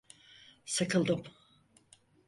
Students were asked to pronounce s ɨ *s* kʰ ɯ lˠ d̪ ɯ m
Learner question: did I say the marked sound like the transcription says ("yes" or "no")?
no